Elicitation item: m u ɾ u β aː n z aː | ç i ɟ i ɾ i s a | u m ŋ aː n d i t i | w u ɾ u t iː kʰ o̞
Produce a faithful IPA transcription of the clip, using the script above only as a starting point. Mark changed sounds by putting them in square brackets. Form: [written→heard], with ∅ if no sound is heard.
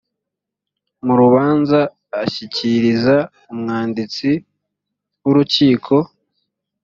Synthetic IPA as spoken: m u ɾ u β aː n z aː | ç i [ɟ→c] i ɾ i [s→z] a | u m ŋ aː n d i [t→t͡s] i | w u ɾ u [t→c] iː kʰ o̞